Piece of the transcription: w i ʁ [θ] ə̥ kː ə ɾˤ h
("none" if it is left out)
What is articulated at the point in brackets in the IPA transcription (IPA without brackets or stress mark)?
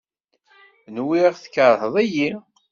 θ